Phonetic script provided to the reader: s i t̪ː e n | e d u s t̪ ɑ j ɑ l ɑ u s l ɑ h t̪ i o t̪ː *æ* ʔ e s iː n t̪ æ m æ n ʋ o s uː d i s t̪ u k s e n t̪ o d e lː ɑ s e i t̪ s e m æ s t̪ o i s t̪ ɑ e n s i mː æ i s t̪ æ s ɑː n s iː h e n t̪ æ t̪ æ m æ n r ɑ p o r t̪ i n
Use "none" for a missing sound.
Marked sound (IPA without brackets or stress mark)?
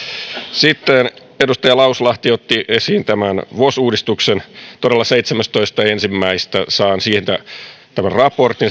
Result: i